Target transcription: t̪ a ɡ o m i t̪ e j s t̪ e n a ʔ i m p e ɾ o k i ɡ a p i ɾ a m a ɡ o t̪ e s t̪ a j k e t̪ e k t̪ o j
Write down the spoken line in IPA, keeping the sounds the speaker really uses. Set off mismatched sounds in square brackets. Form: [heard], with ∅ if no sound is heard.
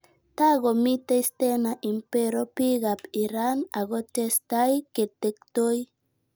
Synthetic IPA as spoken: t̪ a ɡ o m i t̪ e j s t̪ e n a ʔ i m p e ɾ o [p] i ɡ a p i ɾ a [n] a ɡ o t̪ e s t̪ a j k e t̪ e k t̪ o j